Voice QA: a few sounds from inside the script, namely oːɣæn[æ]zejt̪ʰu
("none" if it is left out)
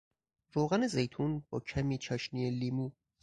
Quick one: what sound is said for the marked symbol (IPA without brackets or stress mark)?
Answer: e